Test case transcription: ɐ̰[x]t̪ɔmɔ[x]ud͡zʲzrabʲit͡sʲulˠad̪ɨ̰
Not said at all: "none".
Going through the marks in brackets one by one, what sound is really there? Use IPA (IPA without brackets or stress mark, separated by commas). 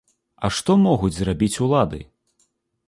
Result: ʂ, ɣ